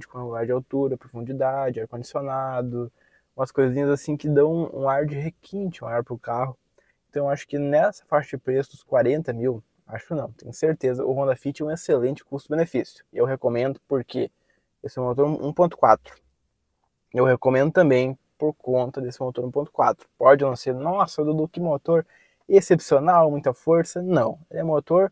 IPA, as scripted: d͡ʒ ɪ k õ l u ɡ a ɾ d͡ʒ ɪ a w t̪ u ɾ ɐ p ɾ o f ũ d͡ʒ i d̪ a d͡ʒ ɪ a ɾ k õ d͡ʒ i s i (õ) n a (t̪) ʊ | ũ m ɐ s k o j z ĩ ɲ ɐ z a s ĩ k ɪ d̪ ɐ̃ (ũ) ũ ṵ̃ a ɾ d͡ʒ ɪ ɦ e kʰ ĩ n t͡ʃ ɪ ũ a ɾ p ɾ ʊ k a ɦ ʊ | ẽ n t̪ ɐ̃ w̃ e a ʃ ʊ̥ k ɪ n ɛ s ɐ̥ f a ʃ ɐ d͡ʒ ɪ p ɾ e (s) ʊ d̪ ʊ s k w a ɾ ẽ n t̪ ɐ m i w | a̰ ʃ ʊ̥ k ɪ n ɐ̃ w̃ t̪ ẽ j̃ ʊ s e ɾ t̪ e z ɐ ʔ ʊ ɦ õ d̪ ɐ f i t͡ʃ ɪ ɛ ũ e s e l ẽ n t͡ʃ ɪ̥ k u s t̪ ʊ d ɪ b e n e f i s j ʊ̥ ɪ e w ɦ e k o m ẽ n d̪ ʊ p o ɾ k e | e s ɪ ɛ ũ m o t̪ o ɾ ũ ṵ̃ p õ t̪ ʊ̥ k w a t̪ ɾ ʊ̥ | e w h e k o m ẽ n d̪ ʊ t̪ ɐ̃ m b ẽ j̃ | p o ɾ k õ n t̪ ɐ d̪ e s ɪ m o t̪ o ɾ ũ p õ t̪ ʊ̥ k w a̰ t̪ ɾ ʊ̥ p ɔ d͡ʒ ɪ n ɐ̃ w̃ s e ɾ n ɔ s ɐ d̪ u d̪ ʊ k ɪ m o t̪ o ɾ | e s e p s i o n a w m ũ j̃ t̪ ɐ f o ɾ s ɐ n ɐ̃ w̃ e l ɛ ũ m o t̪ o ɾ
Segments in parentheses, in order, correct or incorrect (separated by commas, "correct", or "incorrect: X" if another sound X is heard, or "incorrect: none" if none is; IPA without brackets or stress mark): incorrect: o, incorrect: d̪, incorrect: w̃, correct